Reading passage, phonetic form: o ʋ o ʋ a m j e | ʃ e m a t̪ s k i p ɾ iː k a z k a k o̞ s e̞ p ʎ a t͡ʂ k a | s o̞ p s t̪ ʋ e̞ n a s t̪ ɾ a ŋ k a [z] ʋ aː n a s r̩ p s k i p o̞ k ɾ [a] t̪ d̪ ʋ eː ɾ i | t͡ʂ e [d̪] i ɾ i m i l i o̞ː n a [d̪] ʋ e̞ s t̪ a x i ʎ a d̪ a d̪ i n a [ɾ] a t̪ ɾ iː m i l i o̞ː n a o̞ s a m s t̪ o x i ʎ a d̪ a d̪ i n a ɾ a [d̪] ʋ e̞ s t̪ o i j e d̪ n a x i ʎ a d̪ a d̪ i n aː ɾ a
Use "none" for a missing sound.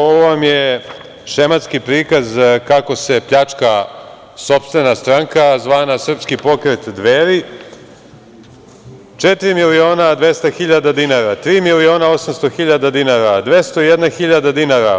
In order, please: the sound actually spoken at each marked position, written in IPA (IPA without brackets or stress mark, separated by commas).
z, e, t̪, d̪, ɾ, d̪